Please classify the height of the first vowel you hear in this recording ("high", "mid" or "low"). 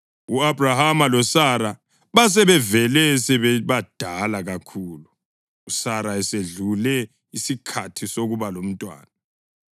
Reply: high